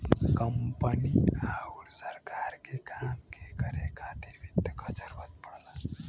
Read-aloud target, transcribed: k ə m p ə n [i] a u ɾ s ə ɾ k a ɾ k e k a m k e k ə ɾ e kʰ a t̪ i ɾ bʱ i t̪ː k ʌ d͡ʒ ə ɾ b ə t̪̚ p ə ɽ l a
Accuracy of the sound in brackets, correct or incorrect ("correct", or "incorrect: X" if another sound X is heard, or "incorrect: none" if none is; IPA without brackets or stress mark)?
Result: correct